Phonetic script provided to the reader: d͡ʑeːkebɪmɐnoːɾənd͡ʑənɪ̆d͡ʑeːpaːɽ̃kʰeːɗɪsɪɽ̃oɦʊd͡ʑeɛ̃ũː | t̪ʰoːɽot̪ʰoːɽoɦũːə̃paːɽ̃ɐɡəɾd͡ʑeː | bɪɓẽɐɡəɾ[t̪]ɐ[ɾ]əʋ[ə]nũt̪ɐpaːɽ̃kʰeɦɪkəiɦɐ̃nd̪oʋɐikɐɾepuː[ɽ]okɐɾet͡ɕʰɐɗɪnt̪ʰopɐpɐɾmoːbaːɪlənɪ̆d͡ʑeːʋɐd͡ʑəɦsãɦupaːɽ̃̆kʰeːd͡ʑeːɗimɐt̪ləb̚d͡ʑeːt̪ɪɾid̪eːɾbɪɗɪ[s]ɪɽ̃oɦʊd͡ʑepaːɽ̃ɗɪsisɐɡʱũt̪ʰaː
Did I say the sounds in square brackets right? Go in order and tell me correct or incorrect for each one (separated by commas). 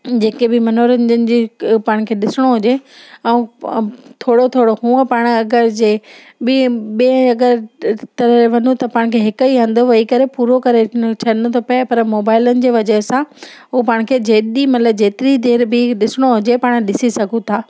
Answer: correct, correct, incorrect, incorrect, correct